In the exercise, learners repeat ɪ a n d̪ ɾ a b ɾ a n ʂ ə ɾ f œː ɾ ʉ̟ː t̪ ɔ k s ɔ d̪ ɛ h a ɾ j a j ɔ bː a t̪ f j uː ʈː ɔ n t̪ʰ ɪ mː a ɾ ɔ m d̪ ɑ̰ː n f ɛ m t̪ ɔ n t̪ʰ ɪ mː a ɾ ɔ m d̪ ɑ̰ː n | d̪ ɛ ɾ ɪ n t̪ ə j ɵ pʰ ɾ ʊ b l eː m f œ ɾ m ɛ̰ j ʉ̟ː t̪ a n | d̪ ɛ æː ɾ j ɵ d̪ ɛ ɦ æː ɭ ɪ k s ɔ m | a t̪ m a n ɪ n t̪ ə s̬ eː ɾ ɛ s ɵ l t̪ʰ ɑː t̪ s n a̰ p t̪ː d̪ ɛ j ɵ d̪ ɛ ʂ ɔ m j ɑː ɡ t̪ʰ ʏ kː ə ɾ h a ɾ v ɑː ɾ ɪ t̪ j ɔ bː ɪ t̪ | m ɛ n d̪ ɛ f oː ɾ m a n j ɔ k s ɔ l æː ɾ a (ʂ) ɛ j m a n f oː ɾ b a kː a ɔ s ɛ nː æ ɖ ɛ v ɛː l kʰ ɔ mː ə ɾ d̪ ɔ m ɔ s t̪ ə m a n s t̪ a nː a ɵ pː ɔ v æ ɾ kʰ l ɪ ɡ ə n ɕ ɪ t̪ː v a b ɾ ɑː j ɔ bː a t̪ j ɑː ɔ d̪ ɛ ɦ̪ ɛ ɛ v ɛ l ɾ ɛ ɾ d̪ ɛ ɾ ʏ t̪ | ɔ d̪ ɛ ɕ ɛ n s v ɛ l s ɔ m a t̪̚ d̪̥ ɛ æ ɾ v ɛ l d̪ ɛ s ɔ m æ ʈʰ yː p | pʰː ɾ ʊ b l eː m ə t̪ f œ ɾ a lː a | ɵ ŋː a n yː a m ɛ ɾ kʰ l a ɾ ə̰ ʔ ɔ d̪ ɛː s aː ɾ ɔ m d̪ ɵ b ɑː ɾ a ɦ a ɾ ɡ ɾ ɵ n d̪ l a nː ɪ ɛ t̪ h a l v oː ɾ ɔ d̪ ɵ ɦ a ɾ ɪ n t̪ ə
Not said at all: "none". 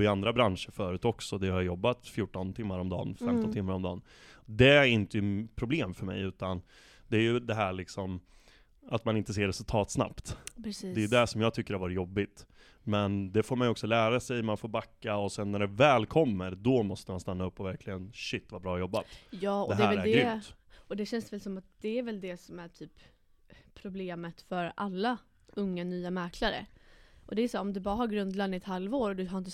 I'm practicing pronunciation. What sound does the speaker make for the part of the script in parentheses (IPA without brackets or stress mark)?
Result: s